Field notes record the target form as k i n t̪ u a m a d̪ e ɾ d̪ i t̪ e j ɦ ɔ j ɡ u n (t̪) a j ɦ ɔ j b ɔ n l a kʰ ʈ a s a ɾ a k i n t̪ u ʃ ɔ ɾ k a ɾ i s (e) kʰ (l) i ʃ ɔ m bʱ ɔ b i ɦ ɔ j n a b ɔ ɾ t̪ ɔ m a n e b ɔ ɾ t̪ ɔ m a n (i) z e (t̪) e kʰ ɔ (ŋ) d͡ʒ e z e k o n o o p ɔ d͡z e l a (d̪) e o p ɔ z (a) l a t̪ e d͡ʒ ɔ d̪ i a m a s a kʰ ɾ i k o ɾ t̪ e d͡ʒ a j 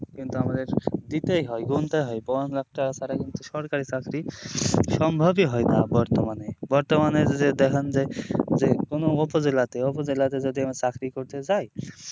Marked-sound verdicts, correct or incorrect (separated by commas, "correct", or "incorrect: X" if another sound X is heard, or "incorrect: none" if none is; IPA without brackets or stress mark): correct, incorrect: a, incorrect: ɾ, incorrect: e, incorrect: d̪, incorrect: n, incorrect: t̪, incorrect: e